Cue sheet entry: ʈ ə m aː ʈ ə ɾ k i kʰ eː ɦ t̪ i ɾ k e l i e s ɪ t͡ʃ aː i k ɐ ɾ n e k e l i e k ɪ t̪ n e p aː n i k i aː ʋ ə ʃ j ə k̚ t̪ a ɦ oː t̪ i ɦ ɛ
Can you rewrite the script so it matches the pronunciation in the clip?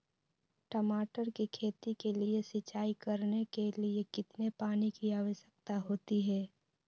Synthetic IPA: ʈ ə m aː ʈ ə ɾ k i kʰ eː t̪ i k e l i e s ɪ t͡ʃ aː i k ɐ ɾ n e k e l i e k ɪ t̪ n e p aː n i k i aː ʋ ə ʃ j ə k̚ t̪ a ɦ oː t̪ i ɦ ɛː